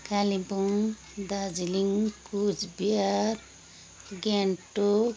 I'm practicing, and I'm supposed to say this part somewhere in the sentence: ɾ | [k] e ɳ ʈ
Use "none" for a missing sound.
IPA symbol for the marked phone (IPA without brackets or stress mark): ɡ